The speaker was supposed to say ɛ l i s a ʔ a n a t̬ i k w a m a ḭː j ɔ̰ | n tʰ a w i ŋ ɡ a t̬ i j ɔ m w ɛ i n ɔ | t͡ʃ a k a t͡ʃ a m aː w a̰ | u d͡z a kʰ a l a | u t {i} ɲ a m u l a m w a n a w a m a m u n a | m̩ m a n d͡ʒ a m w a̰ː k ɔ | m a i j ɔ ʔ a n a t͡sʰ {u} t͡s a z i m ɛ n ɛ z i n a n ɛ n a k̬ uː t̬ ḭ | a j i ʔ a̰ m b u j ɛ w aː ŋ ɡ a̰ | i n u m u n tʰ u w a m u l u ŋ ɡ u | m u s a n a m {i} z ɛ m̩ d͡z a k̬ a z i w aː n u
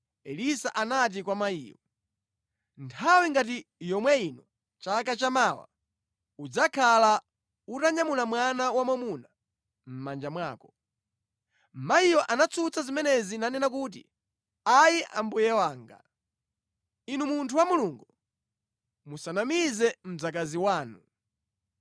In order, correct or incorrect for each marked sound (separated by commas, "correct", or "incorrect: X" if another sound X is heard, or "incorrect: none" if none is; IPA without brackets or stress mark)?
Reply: incorrect: a, correct, correct